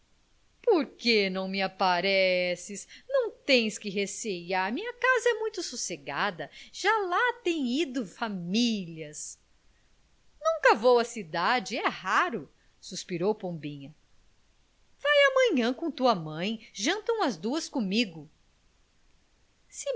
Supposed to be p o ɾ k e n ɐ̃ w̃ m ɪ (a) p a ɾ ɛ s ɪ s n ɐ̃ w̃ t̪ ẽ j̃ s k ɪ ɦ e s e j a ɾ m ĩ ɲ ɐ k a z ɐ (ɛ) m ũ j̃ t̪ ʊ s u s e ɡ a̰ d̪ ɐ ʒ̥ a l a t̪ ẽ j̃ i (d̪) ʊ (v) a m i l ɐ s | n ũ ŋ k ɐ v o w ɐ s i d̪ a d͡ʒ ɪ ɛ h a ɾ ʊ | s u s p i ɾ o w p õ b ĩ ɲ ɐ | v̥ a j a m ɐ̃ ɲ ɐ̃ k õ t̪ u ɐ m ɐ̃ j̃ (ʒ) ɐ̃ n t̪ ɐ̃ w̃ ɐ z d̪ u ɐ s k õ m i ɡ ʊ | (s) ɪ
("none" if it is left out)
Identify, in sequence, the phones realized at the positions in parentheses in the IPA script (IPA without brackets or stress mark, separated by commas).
a, ɛ, d̪, f, ʒ, s